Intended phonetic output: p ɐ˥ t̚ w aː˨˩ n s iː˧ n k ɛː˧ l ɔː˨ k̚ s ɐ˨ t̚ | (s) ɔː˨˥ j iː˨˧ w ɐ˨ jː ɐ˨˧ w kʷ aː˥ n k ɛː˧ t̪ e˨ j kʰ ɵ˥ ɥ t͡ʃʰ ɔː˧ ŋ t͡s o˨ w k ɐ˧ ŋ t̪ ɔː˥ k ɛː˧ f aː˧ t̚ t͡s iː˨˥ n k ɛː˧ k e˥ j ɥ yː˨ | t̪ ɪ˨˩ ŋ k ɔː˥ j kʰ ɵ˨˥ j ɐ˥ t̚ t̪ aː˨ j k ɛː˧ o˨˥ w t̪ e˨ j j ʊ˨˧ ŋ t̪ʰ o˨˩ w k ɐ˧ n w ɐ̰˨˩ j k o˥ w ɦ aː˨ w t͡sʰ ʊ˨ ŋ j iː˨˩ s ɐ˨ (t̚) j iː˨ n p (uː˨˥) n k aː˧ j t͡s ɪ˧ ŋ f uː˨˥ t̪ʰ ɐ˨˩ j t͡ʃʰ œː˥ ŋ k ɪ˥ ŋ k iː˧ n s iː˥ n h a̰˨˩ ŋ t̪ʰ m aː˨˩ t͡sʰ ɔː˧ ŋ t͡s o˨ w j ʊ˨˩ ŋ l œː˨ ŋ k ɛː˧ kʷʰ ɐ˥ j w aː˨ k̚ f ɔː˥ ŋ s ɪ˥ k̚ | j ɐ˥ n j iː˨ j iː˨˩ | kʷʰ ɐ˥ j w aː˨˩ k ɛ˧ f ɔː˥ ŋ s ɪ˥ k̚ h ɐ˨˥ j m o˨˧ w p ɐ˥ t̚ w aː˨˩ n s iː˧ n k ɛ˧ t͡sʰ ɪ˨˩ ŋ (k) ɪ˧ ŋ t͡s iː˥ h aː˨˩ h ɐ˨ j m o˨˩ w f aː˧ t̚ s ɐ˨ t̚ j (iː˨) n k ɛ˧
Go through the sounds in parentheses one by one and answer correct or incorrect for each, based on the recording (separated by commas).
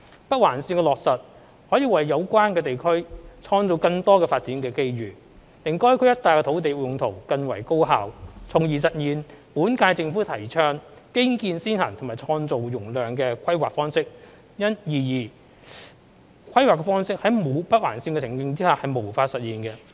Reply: incorrect, correct, correct, correct, correct